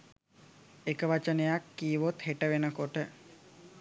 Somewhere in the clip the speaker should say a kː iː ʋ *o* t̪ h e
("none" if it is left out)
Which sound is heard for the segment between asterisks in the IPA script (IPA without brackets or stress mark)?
o